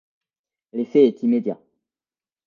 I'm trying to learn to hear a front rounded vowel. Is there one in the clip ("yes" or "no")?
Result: no